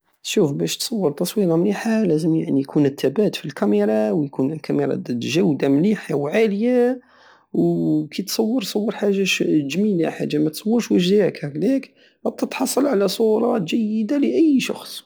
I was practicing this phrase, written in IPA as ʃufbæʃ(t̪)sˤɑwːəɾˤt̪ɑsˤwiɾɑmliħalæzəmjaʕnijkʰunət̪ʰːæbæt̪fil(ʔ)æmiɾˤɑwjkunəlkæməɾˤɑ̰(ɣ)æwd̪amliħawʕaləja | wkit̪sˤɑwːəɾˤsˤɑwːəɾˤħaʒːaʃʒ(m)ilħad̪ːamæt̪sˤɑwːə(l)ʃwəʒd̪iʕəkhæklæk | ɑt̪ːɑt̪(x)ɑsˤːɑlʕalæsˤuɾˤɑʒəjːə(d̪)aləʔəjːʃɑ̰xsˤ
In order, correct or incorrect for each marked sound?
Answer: correct, incorrect, incorrect, correct, incorrect, incorrect, correct

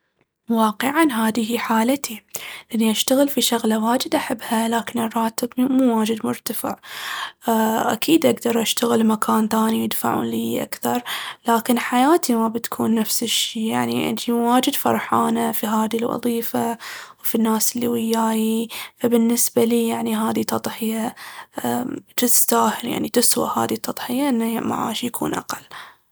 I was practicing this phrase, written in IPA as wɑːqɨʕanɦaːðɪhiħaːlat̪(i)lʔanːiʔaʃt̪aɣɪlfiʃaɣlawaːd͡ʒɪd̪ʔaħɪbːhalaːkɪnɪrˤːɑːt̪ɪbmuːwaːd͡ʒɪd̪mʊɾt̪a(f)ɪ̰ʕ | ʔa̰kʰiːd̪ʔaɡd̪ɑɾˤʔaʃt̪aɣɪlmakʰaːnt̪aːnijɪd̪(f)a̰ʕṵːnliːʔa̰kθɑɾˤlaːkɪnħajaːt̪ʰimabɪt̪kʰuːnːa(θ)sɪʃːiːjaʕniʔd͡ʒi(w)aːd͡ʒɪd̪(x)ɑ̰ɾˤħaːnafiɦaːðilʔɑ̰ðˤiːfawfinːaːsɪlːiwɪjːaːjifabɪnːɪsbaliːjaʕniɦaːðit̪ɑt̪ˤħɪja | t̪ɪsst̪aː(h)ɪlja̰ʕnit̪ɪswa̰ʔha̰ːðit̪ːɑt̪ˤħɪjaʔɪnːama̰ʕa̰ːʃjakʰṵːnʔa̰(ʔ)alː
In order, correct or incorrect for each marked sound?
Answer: correct, correct, correct, incorrect, correct, incorrect, correct, incorrect

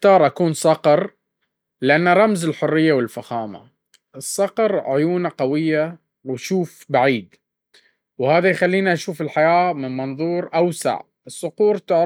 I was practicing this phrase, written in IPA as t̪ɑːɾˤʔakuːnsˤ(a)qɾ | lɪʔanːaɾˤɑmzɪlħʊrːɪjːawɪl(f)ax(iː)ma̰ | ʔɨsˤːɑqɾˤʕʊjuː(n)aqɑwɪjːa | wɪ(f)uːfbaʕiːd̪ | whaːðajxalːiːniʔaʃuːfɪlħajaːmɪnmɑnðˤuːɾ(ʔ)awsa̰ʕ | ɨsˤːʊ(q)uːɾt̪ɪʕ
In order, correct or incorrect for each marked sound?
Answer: incorrect, correct, incorrect, correct, incorrect, correct, correct

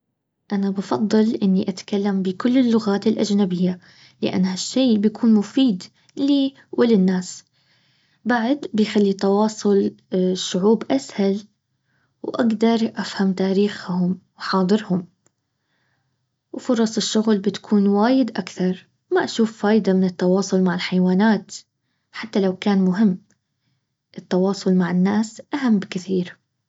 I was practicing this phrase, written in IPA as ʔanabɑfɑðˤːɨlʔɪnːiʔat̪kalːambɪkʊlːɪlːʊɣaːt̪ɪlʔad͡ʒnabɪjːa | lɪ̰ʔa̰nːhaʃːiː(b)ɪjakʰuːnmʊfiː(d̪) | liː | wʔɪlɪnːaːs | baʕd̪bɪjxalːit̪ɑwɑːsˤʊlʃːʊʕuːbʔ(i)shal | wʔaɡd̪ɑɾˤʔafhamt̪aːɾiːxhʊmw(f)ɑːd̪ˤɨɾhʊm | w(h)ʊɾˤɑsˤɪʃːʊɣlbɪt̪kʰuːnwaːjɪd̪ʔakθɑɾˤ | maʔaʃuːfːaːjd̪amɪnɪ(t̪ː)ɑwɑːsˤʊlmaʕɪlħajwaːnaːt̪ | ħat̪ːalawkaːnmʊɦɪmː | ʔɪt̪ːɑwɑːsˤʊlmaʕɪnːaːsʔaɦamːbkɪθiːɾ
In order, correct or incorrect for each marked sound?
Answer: correct, correct, incorrect, incorrect, incorrect, correct

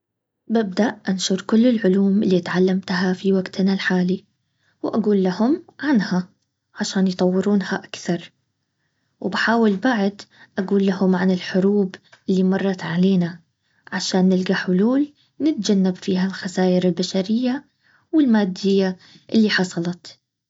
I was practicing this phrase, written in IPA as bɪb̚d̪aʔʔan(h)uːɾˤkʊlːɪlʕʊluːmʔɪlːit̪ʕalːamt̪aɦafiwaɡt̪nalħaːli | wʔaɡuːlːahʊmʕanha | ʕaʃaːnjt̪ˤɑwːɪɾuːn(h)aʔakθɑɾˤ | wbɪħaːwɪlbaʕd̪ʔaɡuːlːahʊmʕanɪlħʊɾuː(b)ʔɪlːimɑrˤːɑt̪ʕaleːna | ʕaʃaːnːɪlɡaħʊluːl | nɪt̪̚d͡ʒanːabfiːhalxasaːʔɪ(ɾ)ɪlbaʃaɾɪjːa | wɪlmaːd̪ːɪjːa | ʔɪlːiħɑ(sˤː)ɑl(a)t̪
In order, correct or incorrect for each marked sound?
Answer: incorrect, correct, correct, correct, incorrect, incorrect

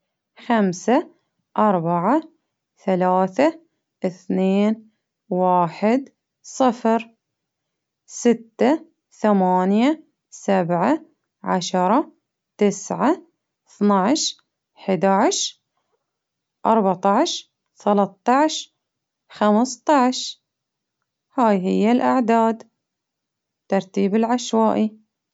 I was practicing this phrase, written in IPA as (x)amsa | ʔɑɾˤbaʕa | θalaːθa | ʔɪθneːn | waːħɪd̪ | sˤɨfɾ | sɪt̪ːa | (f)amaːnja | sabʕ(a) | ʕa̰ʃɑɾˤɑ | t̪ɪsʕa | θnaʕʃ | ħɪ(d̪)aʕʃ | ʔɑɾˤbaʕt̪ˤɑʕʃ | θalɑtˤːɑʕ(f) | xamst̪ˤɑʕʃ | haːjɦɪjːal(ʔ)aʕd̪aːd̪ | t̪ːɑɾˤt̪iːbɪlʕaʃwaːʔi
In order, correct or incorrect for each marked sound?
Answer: correct, incorrect, correct, correct, incorrect, correct

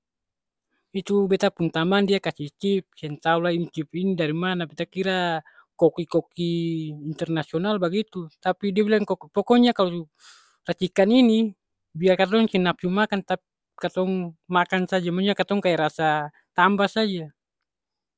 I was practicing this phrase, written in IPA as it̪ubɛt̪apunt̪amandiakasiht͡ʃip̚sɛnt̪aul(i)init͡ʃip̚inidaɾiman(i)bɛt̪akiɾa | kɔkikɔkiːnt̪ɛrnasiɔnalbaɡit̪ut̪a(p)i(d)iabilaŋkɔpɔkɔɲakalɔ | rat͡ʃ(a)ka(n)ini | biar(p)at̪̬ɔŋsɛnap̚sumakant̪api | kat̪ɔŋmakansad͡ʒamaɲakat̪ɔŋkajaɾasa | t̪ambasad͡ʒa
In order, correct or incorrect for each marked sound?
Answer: incorrect, incorrect, correct, correct, incorrect, correct, incorrect

